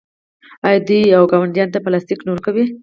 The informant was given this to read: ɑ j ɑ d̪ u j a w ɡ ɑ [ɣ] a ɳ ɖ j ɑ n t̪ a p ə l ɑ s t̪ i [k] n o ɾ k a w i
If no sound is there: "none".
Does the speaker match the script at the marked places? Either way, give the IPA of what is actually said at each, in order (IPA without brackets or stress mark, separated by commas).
w, k